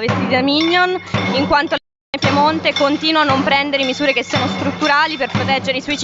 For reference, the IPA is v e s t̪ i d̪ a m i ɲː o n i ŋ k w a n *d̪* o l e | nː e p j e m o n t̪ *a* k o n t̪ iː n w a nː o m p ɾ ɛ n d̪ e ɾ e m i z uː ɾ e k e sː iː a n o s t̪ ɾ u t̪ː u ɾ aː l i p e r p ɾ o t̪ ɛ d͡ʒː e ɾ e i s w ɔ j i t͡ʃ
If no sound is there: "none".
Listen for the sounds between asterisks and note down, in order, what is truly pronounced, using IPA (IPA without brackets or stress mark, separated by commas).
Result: t̪, e